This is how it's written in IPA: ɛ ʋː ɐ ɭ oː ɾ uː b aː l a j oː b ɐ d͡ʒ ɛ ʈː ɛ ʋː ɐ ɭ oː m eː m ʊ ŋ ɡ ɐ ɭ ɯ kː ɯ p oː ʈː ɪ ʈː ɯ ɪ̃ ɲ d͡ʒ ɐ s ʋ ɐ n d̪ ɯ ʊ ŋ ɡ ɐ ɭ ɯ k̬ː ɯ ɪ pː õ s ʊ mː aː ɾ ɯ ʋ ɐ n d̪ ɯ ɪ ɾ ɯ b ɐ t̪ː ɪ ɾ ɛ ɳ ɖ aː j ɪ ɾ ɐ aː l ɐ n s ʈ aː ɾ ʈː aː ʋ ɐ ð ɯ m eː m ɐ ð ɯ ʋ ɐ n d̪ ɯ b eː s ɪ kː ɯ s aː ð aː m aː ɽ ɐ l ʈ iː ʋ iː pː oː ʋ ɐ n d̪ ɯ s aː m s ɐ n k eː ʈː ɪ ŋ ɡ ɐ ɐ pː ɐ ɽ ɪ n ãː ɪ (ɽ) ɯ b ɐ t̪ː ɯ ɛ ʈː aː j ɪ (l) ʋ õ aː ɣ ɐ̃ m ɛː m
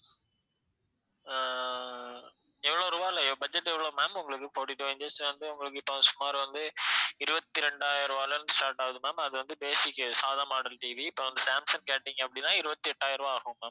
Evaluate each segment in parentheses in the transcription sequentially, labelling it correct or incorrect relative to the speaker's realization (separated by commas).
incorrect, incorrect